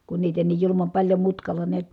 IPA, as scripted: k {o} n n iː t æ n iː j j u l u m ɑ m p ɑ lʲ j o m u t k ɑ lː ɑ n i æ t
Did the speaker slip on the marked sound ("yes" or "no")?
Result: yes